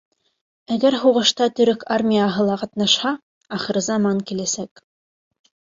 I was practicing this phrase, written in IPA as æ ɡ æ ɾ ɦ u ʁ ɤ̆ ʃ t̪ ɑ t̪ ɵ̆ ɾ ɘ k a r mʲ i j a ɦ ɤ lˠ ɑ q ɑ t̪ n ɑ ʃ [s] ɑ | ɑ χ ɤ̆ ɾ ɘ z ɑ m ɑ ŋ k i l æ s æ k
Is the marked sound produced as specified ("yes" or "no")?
no